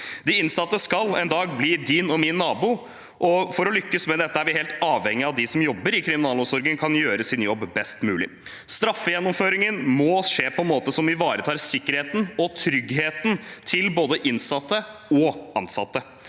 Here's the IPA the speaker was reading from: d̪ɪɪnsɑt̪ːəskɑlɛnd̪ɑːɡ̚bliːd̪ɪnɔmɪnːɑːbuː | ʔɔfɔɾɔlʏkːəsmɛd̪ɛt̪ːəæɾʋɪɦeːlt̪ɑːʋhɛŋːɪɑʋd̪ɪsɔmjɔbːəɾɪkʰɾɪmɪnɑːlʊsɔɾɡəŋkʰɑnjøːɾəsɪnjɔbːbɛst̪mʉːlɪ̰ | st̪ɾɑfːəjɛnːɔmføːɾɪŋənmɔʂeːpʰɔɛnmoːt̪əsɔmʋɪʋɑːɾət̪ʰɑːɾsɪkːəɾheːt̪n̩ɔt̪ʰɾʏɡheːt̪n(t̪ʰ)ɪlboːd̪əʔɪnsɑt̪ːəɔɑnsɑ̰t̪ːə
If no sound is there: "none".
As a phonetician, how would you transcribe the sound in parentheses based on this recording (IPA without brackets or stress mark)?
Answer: t̪ʰ